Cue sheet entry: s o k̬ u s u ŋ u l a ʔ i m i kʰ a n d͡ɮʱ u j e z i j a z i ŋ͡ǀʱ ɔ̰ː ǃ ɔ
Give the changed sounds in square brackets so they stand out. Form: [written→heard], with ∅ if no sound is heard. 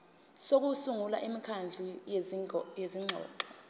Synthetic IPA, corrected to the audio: s o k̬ u s u ŋ u l a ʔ i m i kʰ a n d͡ɮʱ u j e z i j [a→e] z i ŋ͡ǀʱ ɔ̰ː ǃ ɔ